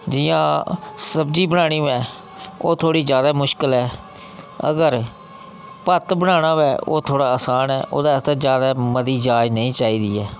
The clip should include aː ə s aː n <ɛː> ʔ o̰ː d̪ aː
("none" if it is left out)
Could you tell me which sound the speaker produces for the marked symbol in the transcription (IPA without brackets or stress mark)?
ɛː